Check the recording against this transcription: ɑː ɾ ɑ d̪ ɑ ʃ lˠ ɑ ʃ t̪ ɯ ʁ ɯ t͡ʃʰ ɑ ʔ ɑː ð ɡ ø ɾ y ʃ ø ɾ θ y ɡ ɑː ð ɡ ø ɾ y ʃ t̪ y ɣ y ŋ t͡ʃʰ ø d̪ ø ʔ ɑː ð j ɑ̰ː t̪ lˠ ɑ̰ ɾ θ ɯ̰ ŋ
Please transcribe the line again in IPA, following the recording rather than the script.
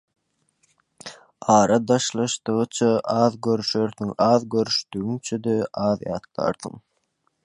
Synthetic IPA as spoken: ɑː ɾ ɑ d̪ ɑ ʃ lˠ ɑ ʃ t̪ ɯ ʁ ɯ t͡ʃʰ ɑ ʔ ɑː ð ɡ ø ɾ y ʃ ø ɾ θ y ŋ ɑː ð ɡ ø ɾ y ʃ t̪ y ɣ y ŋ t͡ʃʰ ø d̪ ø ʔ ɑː ð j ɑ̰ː t̪ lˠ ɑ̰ ɾ θ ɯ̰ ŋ